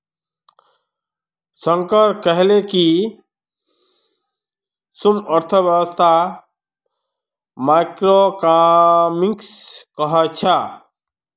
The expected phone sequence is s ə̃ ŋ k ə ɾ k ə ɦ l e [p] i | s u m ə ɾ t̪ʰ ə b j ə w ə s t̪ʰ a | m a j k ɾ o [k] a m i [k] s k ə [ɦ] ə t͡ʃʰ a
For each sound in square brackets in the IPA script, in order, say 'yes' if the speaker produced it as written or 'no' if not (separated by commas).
no, yes, yes, yes